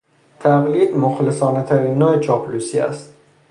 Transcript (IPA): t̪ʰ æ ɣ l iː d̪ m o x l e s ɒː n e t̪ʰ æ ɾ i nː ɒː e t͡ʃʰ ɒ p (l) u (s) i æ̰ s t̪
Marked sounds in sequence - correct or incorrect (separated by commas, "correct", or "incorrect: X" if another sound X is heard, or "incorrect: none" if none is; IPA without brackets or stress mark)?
correct, correct